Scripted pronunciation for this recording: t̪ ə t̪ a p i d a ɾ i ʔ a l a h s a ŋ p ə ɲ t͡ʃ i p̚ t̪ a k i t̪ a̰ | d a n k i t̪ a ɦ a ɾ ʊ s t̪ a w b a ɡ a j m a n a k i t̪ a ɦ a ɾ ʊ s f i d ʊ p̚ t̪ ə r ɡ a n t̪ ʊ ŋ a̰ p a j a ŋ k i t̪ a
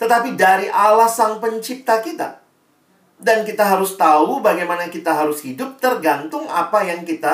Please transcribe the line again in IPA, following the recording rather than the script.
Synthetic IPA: t̪ ə t̪ a p i d a ɾ i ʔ a l a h s a ŋ p ə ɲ t͡ʃ i p̚ t̪ a k i t̪ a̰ | d a n k i t̪ a ɦ a ɾ ʊ s t̪ a u b a ɡ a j m a n a k i t̪ a ɦ a ɾ ʊ s h i d ʊ p̚ t̪ ə r ɡ a n t̪ ʊ ŋ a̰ p a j a ŋ k i t̪ a